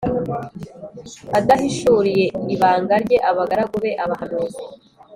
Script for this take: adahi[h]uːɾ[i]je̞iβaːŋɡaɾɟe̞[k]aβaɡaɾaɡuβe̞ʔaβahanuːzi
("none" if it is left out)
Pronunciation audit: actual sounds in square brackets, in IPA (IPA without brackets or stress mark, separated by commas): ʃ, i, ʔ